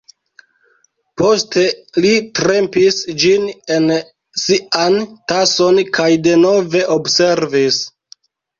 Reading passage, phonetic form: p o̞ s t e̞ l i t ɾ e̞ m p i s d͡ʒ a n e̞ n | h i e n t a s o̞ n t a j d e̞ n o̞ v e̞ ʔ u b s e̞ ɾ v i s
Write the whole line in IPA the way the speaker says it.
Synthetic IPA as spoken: p o̞ s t e̞ l i t ɾ e̞ m p i s d͡ʒ i n e̞ n | s i a n t a s o̞ n k a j d e̞ n o̞ v e̞ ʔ o b s e̞ ɾ v i s